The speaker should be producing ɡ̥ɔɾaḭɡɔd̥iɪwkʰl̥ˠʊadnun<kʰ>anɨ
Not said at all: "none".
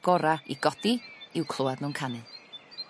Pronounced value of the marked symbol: kʰ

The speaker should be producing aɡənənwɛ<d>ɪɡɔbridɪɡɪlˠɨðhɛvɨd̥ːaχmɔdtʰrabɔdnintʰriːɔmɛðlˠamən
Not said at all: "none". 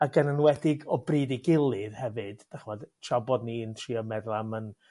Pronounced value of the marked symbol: d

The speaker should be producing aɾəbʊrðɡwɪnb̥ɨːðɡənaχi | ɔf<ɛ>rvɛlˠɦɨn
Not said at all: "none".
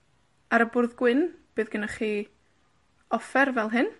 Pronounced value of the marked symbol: ɛ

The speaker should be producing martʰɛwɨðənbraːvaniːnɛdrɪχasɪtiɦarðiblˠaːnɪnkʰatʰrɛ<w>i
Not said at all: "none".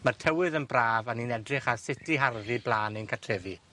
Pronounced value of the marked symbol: v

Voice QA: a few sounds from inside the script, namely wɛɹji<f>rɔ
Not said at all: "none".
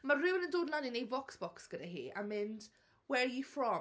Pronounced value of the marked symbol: f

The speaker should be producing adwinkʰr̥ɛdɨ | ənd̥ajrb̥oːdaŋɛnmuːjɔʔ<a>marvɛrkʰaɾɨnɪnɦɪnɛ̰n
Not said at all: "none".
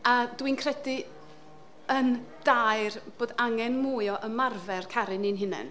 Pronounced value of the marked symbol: ə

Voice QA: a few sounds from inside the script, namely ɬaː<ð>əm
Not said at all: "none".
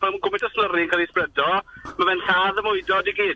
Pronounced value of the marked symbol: ð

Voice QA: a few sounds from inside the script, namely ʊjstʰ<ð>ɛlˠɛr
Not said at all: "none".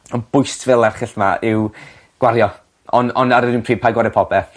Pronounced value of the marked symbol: v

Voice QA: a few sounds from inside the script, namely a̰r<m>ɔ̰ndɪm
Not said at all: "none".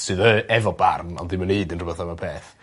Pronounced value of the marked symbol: n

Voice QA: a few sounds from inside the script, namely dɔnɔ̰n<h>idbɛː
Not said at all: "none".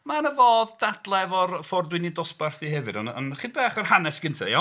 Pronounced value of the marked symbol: χ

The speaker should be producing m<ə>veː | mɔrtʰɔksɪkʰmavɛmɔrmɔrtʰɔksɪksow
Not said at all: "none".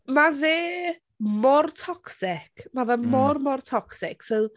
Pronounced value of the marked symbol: a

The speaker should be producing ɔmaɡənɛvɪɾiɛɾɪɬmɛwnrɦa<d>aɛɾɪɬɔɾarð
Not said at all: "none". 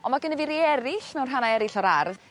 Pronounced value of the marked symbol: n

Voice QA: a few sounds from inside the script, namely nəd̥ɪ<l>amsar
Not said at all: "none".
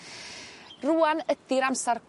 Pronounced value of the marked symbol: ɾ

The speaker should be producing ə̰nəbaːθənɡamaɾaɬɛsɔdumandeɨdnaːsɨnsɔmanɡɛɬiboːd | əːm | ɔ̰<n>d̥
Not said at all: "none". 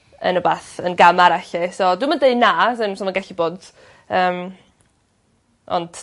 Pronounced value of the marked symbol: n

